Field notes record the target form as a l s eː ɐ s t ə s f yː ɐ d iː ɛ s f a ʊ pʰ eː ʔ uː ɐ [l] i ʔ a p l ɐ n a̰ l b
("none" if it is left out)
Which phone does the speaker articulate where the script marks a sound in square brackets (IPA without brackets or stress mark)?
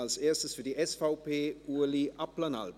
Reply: l